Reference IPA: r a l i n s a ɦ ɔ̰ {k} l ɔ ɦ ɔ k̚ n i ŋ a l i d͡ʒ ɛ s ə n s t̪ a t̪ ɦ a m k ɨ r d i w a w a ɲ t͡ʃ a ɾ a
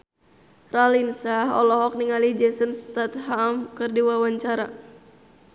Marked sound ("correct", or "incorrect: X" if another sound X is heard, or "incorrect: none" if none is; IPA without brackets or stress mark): incorrect: none